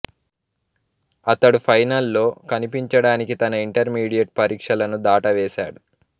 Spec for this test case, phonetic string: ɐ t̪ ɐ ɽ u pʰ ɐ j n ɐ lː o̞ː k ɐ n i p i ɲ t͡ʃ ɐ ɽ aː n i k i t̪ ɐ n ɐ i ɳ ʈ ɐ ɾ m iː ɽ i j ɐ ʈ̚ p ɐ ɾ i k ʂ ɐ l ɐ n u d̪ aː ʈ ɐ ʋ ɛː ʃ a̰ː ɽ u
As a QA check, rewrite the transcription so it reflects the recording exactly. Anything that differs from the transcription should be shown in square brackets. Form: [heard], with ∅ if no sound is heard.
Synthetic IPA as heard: ɐ t̪ ɐ ɽ u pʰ ɐ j n ɐ lː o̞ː k ɐ n i p i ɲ t͡ʃ ɐ ɽ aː n i k i t̪ ɐ n ɐ i ɳ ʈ ɐ ɾ m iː ɽ i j ɐ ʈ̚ p ɐ ɾ [iː] k ʂ ɐ l ɐ n u d̪ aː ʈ ɐ ʋ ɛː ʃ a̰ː ɽ u